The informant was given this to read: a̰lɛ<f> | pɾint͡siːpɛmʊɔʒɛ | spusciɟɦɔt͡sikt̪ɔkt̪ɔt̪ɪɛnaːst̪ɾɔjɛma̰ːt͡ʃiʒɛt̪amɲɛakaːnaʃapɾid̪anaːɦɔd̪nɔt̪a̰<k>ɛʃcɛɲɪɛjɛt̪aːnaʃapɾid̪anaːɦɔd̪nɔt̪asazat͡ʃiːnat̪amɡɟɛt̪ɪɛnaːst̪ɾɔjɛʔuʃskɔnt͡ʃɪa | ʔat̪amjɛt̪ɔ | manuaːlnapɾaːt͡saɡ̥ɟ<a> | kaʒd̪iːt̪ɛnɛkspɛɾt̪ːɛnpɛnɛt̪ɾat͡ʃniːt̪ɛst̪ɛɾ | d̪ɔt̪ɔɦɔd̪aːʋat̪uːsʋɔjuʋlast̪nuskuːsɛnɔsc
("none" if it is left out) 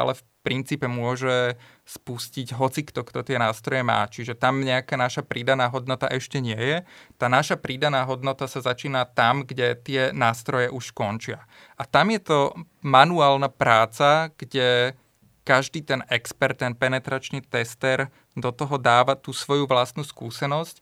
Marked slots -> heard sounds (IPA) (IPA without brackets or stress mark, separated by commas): f, ʔ, ɛ